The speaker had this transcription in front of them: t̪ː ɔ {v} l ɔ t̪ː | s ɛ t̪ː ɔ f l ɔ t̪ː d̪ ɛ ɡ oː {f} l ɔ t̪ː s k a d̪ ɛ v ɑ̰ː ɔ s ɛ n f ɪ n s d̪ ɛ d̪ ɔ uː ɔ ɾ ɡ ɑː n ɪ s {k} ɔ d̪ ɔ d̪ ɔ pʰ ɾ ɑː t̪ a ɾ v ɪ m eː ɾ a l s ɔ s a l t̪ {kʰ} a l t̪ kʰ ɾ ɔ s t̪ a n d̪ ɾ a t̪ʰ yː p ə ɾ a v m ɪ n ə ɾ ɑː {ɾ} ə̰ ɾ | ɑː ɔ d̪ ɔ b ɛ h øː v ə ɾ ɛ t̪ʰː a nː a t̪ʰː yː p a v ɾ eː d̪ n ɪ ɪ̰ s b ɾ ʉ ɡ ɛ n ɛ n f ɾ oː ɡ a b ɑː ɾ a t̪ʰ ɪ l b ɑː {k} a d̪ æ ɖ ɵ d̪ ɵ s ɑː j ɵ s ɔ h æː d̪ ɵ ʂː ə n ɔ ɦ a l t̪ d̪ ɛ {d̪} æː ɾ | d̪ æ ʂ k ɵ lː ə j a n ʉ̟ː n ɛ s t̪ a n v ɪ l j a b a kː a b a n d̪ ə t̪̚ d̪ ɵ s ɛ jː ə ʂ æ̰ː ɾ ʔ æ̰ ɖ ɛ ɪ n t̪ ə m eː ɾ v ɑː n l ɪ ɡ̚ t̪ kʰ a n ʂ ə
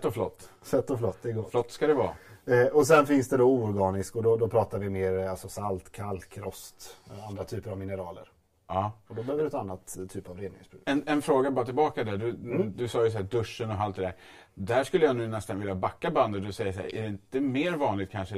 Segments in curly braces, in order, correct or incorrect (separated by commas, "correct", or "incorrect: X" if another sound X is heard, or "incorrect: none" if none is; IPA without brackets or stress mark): incorrect: f, correct, correct, correct, incorrect: l, correct, correct